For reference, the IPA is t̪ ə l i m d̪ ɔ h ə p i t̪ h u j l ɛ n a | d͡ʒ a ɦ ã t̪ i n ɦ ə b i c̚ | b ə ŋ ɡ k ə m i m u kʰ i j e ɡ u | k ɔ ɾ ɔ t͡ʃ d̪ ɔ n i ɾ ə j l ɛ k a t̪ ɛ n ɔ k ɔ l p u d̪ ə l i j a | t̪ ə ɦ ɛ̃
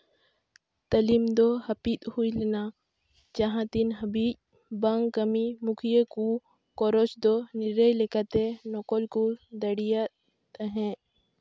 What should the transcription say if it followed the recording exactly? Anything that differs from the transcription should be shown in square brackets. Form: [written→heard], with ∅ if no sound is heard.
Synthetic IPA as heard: t̪ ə l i m d̪ ɔ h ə p i t̪ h u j l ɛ n a | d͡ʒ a ɦ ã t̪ i n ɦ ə b i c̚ | b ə ŋ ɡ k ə m i m u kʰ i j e [ɡ→k] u | k ɔ ɾ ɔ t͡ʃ d̪ ɔ n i ɾ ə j l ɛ k a t̪ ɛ n ɔ k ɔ l [p→k] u d̪ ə [l→ɽ] i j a | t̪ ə ɦ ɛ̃

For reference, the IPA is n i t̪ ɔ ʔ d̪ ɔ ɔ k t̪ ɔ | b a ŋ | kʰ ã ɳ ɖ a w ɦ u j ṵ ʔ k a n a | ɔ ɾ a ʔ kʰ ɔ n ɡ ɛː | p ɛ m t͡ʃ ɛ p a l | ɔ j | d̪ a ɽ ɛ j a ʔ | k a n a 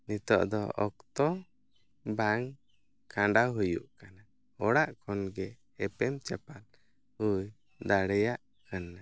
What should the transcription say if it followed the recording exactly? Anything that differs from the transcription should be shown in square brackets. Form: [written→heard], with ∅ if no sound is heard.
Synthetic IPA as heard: n i t̪ ɔ ʔ d̪ ɔ ɔ k t̪ ɔ | b a ŋ | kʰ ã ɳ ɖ a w ɦ u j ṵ ʔ k a n a | ɔ [ɾ→ɽ] a ʔ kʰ ɔ n ɡ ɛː | p ɛ m t͡ʃ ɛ p a l | [ɔ→u] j | d̪ a ɽ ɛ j a ʔ | k a n a

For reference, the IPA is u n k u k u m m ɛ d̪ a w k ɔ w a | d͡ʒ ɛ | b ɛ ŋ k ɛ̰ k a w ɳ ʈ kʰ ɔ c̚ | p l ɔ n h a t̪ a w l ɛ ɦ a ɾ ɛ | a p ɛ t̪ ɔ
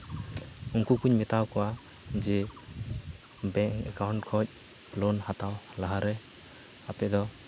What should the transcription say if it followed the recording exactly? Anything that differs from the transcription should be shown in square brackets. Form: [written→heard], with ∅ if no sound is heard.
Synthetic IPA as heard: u [n→ŋ] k u k u [m→ɲ] m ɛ [d̪→t̪] a w k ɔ w a | d͡ʒ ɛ | b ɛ ŋ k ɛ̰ k a w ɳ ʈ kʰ ɔ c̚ | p l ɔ n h a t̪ a w l [ɛ→a] ɦ a ɾ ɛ | a p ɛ [t̪→d̪] ɔ

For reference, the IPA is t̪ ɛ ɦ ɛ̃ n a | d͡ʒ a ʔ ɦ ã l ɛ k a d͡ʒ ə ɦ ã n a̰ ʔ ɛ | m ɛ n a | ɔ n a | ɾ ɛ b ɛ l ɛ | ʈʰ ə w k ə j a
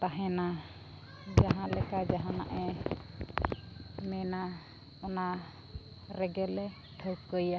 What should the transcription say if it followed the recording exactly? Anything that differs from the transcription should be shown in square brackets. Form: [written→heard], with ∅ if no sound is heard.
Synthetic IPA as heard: t̪ [ɛ→a] ɦ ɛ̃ n a | d͡ʒ a [ʔ→∅] ɦ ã l ɛ k a d͡ʒ [ə→a] ɦ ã n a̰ ʔ ɛ | m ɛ n a | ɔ n a | ɾ ɛ [b→ɡ] ɛ l ɛ | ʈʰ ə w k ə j a

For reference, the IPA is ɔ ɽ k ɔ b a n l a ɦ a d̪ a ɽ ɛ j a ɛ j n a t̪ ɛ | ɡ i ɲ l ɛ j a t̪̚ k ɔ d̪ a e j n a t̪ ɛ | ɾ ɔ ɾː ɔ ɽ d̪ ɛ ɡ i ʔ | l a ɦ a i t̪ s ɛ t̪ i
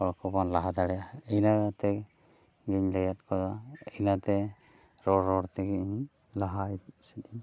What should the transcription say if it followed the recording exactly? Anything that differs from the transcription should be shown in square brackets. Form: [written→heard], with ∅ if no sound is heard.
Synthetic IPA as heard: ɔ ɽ k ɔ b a n l a ɦ a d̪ a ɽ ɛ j a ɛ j n a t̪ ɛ | ɡ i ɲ l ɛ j a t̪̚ k ɔ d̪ a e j n a t̪ ɛ | ɾ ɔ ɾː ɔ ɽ [d̪→t̪] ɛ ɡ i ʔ | l a ɦ a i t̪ s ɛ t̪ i

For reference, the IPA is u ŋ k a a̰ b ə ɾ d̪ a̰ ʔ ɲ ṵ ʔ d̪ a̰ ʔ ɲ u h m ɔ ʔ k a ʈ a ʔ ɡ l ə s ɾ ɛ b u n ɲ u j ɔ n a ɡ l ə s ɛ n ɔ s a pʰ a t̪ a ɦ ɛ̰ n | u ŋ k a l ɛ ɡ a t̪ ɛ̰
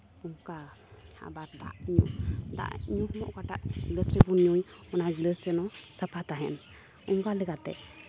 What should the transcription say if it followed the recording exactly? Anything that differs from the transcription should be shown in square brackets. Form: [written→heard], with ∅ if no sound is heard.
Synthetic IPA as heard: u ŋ k a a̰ b [ə→a] ɾ d̪ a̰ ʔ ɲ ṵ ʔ d̪ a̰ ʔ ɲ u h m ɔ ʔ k a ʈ a ʔ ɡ l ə s ɾ ɛ b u n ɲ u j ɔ n a ɡ l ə s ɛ n ɔ s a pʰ a t̪ a ɦ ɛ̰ n | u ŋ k a l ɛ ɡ a t̪ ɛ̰

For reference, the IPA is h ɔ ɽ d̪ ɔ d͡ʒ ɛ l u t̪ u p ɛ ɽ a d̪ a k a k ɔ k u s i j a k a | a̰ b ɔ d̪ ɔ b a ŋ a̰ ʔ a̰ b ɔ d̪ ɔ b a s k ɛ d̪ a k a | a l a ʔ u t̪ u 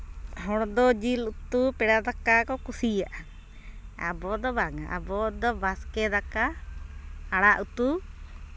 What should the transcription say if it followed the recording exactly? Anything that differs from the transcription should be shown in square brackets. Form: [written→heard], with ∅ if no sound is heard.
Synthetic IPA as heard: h ɔ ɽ d̪ ɔ d͡ʒ [ɛ→i] l u t̪ u p ɛ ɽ a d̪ a k a k ɔ k u s i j a [k→ʔ] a | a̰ b ɔ d̪ ɔ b a ŋ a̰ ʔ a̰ b ɔ d̪ ɔ b a s k ɛ d̪ a k a | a [l→ɽ] a ʔ u t̪ u

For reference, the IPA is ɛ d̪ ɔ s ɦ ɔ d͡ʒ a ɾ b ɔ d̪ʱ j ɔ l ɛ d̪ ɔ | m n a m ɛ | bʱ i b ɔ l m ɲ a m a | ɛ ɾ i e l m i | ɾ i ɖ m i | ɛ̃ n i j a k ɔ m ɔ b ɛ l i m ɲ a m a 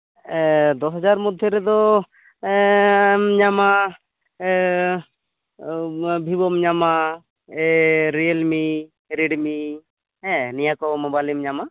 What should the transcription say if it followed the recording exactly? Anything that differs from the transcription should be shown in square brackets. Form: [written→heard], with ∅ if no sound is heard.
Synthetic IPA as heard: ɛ d̪ ɔ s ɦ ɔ d͡ʒ a ɾ [b→m] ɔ d̪ʱ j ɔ [l→ɾ] ɛ d̪ ɔ | m [n→ɲ] a m [ɛ→a] | bʱ i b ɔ [l→∅] m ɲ a m a | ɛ ɾ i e l m i | ɾ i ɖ m i | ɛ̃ n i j a k ɔ m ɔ b [ɛ→a] l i m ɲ a m a

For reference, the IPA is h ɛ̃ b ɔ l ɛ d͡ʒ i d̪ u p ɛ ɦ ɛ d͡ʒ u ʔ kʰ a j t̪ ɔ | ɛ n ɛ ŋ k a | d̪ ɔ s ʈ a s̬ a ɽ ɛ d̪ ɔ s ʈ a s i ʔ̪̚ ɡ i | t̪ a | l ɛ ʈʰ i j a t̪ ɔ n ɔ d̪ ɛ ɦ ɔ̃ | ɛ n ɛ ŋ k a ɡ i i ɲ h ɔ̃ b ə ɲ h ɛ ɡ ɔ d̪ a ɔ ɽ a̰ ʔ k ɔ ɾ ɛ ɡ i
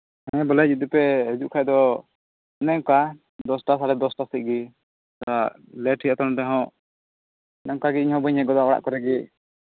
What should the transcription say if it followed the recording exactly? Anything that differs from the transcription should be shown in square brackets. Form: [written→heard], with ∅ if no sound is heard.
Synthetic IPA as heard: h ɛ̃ b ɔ l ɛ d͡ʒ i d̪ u p ɛ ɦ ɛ d͡ʒ u ʔ kʰ a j [t̪→d̪] ɔ | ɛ n ɛ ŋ k a | d̪ ɔ s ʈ a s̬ a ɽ ɛ d̪ ɔ s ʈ a s i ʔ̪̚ ɡ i | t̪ a | l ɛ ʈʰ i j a t̪ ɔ n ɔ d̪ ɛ ɦ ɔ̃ | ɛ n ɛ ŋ k a ɡ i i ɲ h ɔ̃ b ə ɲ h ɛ ɡ ɔ d̪ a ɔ ɽ a̰ ʔ k ɔ ɾ ɛ ɡ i

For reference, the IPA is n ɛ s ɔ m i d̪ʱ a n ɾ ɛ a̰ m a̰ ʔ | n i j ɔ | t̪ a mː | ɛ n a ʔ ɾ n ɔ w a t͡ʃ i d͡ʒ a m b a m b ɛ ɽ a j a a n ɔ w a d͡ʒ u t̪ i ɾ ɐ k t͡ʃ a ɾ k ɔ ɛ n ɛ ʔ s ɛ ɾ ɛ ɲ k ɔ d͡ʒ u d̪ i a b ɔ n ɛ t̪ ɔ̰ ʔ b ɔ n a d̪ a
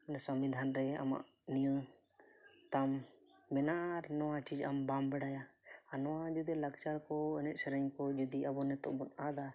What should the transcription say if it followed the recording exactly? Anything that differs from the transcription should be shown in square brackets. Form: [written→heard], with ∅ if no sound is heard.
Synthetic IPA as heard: n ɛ s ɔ m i d̪ʱ a n ɾ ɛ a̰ m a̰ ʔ | n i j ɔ | t̪ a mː | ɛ n a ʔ ɾ n ɔ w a t͡ʃ i d͡ʒ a m b a m b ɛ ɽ a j a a n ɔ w a d͡ʒ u [t̪→d̪] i [ɾ→l] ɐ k t͡ʃ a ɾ k ɔ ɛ n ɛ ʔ s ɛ ɾ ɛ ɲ k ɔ d͡ʒ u d̪ i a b ɔ n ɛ t̪ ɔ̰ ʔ b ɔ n a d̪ a

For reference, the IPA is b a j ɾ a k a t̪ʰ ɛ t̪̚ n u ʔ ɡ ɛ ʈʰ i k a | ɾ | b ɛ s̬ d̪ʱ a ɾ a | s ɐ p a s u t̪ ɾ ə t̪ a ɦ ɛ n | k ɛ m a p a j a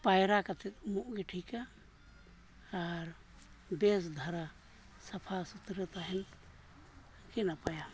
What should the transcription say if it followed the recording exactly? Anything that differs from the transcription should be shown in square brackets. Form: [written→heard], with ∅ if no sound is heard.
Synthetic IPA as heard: [b→p] a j ɾ a k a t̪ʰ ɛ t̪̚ [n→m] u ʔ ɡ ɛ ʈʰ i k a | ɾ | b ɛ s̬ d̪ʱ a ɾ a | s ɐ [p→pʰ] a s u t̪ ɾ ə t̪ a ɦ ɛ n | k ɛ [m→n] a p a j a

